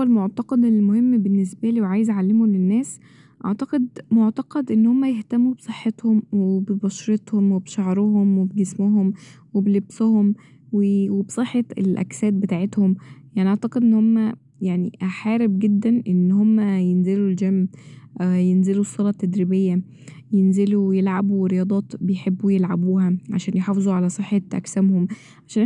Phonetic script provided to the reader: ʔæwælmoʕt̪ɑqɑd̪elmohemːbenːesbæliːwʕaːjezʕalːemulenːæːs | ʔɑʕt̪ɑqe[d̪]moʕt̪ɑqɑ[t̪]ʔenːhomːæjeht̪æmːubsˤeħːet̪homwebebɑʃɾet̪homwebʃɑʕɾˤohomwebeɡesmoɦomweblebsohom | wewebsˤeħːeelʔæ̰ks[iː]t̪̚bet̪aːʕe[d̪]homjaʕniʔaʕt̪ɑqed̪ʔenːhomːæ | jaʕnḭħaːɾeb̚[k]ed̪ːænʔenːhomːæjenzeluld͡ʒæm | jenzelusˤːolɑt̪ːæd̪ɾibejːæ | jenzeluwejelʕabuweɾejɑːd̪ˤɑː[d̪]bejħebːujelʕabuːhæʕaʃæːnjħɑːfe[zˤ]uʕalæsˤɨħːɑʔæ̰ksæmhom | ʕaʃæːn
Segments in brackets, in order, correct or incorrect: correct, incorrect, incorrect, incorrect, incorrect, incorrect, correct

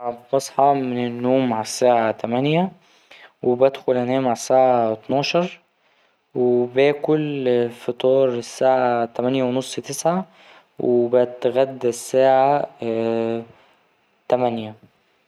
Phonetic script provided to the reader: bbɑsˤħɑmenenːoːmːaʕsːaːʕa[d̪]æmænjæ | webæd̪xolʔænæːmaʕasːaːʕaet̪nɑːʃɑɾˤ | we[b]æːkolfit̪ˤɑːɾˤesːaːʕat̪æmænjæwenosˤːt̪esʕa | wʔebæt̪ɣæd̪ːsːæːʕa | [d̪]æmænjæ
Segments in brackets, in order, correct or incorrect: incorrect, correct, incorrect

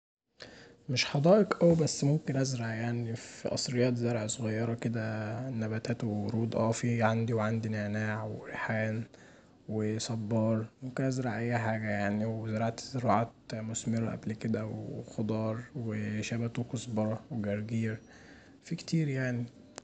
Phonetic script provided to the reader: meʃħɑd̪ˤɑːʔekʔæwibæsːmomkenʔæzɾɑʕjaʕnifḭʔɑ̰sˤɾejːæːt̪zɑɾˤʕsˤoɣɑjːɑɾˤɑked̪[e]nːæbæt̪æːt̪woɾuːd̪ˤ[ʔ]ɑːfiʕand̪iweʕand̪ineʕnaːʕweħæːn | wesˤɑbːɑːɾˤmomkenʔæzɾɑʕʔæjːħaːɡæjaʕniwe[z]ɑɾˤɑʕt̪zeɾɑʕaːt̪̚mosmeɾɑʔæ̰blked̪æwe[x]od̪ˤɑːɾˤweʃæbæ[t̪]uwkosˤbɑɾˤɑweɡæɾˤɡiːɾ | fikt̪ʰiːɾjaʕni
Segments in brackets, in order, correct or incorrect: incorrect, correct, correct, correct, correct

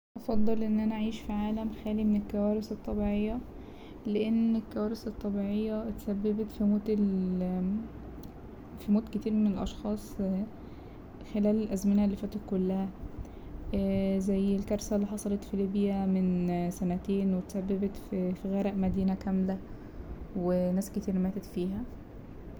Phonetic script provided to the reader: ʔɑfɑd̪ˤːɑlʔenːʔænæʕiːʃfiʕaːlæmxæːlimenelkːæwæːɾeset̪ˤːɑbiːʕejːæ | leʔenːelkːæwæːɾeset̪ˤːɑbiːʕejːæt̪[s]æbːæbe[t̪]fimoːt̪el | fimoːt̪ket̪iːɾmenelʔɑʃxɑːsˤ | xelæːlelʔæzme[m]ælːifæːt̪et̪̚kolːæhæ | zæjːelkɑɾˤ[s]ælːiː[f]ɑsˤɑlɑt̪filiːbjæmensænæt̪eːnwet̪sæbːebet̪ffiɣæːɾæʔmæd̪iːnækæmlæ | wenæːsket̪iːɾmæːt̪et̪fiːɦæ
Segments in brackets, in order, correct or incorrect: correct, correct, incorrect, correct, incorrect

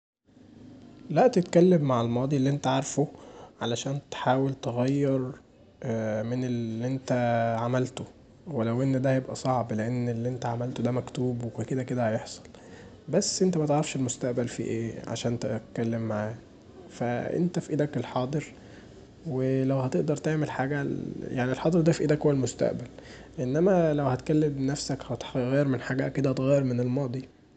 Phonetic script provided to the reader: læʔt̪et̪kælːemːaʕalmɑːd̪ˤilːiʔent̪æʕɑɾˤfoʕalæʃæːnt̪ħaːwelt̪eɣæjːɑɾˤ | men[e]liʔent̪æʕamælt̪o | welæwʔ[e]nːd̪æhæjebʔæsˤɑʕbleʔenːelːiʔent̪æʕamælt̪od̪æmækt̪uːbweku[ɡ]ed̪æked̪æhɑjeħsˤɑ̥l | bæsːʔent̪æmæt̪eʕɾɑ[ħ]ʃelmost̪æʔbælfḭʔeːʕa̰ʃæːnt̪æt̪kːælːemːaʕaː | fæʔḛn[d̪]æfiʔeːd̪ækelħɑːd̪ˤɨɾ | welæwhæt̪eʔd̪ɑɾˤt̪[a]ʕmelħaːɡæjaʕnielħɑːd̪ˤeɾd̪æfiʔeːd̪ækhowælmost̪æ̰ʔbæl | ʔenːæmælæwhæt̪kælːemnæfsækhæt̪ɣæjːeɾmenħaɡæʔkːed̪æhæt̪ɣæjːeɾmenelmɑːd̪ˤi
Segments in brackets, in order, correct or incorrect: correct, correct, incorrect, incorrect, incorrect, incorrect

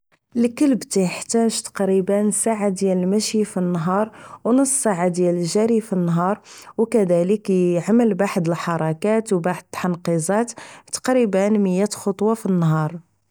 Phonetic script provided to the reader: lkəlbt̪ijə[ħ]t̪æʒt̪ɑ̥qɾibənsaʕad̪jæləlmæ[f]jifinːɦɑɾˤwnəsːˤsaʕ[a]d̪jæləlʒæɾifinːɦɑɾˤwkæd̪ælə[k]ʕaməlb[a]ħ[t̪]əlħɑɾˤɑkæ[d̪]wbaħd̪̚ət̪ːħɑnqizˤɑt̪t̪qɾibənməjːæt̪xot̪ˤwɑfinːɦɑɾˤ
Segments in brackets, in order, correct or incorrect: correct, incorrect, correct, correct, correct, incorrect, incorrect

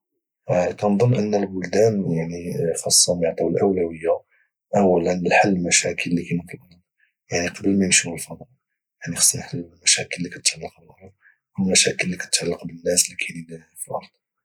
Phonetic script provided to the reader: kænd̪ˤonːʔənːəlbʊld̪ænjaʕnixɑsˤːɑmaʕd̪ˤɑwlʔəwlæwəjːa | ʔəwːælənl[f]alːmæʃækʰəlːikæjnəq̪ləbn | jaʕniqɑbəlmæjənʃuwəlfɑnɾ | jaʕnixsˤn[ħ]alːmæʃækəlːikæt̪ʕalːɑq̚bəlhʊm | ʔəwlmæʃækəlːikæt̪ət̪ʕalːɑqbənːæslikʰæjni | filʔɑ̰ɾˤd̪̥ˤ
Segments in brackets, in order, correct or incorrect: incorrect, correct

